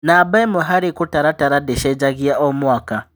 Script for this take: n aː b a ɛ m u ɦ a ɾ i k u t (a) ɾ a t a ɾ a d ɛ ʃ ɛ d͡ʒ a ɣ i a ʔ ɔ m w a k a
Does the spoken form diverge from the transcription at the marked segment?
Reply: no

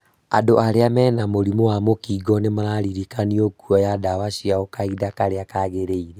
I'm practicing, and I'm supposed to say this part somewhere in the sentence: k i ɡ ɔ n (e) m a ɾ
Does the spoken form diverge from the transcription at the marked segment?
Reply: no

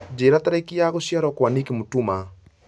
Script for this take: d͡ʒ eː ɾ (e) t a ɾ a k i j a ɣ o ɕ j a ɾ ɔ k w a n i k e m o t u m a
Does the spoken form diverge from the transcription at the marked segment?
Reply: yes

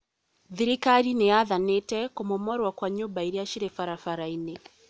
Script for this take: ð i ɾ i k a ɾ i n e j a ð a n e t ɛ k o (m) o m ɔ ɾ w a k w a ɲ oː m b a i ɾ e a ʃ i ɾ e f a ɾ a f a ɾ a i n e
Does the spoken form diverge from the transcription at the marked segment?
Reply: no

